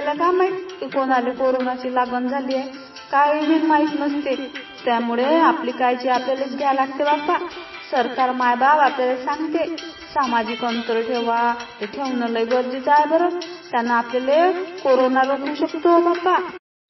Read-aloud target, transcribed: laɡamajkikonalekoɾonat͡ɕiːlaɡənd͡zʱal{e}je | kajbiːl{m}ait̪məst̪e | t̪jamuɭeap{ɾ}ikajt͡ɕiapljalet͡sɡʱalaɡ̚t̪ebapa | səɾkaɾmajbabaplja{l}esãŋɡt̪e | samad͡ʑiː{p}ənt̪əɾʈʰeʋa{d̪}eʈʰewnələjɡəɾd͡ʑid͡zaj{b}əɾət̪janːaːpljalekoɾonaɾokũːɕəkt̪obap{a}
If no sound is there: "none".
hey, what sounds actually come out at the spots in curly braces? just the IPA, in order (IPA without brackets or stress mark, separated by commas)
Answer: i, m, l, l, k, t̪, b, a